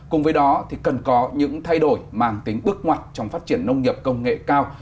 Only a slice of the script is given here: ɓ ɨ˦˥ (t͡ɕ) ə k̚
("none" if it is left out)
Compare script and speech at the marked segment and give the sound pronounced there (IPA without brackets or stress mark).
none